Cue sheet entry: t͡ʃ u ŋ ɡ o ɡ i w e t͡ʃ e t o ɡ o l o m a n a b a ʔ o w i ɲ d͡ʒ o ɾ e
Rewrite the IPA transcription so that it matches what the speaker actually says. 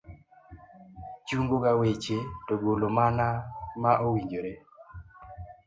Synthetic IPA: t͡ʃ u ŋ ɡ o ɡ a w e t͡ʃ e t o ɡ o l o m a n a m a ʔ o w i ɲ d͡ʒ o ɾ e